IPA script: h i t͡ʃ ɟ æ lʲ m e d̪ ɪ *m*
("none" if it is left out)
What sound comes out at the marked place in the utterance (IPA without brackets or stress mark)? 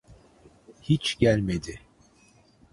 none